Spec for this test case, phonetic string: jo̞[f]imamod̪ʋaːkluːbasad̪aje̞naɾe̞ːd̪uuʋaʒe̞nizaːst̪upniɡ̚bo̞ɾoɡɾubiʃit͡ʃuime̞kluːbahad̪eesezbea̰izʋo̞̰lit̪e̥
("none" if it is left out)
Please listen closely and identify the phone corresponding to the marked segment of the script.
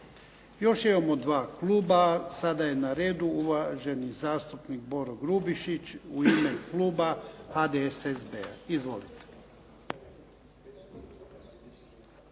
ʃ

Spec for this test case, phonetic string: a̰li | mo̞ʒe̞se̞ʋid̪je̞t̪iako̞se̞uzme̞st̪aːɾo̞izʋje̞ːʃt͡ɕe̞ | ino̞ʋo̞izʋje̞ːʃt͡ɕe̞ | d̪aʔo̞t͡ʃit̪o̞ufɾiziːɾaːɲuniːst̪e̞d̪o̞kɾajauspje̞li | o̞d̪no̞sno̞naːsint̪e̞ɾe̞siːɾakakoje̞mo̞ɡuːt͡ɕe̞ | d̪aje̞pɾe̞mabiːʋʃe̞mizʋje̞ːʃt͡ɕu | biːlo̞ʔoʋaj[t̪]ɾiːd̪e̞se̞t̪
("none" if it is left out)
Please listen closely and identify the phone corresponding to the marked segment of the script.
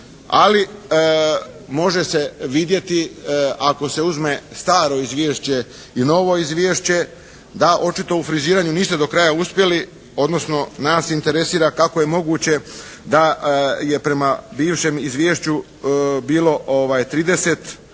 t̪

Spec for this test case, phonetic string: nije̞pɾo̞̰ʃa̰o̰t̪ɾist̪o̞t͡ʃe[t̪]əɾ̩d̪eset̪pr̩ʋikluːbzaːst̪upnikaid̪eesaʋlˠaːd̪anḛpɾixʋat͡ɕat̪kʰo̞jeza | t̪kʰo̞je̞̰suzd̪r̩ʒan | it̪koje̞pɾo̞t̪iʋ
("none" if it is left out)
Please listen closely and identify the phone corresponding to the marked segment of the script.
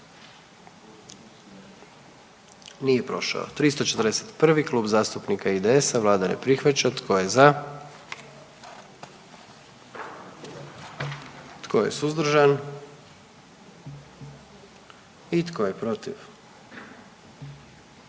t̪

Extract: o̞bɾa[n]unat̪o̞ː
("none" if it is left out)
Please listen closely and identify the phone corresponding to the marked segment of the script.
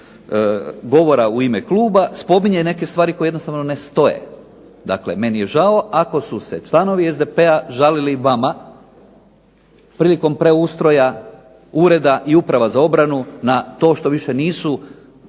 n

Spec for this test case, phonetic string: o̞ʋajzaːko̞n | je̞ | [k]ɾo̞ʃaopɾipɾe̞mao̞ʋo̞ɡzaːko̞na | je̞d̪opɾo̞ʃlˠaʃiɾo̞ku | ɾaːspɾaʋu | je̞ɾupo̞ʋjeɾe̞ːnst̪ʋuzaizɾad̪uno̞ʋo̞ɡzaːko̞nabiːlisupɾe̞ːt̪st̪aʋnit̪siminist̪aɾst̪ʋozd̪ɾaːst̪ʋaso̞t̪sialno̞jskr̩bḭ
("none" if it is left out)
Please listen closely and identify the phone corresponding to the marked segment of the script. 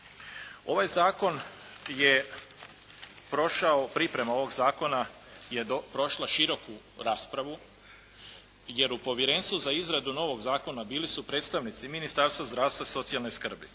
p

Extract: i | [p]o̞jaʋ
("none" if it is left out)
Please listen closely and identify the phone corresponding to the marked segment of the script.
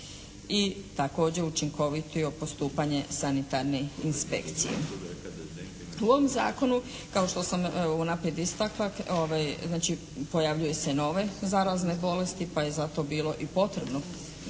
p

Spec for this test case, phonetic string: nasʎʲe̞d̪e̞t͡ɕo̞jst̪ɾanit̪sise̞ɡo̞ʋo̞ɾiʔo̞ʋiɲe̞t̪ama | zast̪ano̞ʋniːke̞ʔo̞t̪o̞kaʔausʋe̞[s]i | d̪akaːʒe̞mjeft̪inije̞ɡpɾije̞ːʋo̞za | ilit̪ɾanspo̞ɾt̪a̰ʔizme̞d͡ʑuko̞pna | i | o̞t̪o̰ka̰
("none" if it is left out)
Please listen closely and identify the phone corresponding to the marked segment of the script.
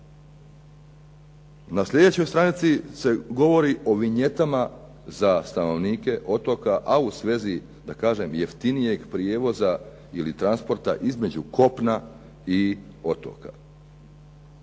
z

